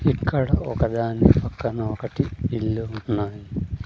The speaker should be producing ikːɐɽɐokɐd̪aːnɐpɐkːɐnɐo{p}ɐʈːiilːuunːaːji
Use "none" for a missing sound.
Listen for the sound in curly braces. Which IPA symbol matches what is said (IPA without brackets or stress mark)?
k